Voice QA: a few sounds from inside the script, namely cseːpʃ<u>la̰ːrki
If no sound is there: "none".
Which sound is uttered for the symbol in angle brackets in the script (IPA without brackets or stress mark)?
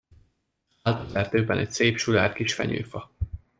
u